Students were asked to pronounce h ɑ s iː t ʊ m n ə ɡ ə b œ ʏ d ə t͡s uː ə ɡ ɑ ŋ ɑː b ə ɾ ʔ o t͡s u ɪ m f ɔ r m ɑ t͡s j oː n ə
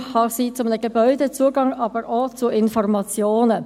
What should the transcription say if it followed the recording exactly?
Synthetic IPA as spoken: h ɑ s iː t͡s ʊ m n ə ɡ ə b œ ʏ d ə t͡s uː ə ɡ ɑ ŋ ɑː b ə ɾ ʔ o t͡s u ɪ n f ɔ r m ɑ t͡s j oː n ə